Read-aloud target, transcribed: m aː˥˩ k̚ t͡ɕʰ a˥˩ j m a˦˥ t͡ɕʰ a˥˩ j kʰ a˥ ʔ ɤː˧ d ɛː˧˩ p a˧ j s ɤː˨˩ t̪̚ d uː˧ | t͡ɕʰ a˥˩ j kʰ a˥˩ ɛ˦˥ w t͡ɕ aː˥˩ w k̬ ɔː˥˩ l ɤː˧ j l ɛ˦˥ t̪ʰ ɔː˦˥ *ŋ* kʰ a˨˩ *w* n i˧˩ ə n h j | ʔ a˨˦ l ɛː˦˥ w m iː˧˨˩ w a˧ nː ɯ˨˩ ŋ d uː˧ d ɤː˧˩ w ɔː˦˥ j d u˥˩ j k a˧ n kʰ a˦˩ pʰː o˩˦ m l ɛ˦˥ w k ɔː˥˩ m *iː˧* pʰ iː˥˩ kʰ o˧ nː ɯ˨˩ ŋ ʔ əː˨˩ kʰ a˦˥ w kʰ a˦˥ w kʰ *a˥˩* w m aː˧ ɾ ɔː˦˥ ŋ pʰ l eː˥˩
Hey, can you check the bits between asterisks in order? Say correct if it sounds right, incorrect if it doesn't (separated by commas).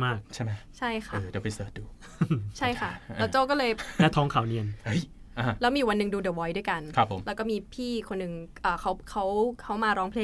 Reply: correct, correct, correct, incorrect